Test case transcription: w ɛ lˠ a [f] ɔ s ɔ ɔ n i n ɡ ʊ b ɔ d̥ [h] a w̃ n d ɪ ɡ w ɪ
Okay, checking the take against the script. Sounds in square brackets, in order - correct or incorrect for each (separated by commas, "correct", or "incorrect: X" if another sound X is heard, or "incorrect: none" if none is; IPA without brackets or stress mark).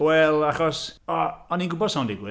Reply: incorrect: χ, incorrect: s